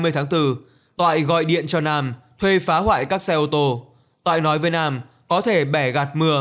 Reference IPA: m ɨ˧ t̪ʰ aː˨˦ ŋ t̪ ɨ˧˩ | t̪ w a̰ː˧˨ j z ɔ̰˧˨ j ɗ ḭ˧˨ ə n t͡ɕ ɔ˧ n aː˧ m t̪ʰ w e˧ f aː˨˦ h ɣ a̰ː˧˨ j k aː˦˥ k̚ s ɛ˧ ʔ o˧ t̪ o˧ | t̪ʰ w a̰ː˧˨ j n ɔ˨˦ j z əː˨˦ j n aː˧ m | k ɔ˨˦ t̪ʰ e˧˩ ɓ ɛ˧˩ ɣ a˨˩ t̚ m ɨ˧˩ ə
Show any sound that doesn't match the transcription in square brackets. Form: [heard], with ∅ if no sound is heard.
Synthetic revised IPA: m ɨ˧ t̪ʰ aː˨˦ ŋ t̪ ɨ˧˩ | t̪ w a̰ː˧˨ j [ɣ] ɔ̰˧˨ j ɗ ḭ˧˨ ə n t͡ɕ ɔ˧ n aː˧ m t̪ʰ w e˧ f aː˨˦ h [w] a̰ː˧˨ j k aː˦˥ k̚ s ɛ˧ ʔ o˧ t̪ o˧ | [t̪] w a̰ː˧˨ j n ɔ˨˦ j [v] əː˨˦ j n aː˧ m | k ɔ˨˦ t̪ʰ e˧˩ ɓ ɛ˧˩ ɣ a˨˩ t̚ m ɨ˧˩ ə